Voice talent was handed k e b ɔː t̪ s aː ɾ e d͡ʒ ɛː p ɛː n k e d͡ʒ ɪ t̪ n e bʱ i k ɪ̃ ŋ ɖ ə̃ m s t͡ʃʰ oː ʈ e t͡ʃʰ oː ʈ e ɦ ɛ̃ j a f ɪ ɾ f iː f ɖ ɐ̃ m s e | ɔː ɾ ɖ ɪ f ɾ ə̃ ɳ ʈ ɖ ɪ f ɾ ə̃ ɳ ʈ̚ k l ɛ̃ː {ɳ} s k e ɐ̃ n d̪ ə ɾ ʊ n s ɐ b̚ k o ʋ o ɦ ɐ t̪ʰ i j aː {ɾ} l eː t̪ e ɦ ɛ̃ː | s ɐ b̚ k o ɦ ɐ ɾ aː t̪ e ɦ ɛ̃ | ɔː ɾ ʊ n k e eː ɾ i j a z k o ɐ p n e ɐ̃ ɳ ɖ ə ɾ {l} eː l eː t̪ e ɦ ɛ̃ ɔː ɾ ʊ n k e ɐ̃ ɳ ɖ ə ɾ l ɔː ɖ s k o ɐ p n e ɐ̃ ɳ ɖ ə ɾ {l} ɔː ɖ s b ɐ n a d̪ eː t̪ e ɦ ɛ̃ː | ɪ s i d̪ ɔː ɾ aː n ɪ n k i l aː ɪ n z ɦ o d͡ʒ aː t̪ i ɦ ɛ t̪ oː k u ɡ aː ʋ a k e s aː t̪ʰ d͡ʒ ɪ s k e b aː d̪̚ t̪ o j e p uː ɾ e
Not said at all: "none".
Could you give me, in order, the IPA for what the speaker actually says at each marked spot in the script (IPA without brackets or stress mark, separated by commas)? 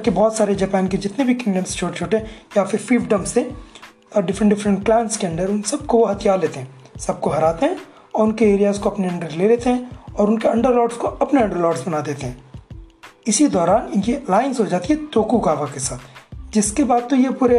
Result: n, ɾ, l, l